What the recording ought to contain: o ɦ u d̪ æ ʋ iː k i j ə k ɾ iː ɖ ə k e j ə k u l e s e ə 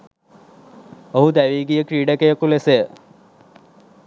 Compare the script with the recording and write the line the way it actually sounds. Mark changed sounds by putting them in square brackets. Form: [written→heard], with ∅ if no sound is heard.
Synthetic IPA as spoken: o ɦ u d̪ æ ʋ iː [k→ɡ] i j ə k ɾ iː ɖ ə k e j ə k u l e s e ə